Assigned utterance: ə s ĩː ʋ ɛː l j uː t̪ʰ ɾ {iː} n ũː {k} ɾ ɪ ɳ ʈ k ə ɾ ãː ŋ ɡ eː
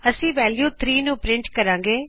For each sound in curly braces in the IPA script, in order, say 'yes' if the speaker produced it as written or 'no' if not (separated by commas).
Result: yes, no